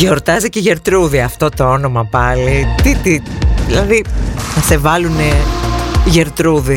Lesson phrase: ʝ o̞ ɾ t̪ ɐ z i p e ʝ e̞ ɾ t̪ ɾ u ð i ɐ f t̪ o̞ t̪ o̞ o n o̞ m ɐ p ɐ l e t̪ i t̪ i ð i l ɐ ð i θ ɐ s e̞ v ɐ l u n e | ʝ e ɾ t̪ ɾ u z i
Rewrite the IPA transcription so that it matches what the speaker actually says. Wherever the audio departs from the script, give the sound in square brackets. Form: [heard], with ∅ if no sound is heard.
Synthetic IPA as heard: ʝ o̞ ɾ t̪ ɐ z i [c] e ʝ e̞ ɾ t̪ ɾ u ð i ɐ f t̪ o̞ t̪ o̞ o n o̞ m ɐ p ɐ l [i] t̪ i t̪ i ð i l ɐ ð i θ ɐ s e̞ v ɐ l u n e | ʝ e ɾ t̪ ɾ u [ð] i